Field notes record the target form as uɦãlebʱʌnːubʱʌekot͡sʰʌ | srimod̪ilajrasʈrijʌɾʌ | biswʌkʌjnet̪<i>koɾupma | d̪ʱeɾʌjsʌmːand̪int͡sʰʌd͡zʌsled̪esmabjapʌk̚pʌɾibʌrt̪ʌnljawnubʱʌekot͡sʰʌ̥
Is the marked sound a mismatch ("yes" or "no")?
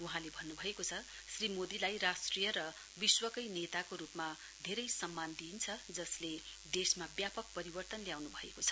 yes